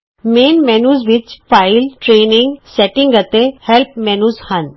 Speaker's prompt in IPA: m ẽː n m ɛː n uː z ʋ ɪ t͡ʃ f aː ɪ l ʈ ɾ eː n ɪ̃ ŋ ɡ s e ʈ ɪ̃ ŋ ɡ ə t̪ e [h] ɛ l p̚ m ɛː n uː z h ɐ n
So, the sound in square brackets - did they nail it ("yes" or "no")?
yes